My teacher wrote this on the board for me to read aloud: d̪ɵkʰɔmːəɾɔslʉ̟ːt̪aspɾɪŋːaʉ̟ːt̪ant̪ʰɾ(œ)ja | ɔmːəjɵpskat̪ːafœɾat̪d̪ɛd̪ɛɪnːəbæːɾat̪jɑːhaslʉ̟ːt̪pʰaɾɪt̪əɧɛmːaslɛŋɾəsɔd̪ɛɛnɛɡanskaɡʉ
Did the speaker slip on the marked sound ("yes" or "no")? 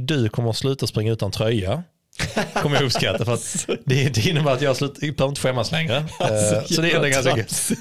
no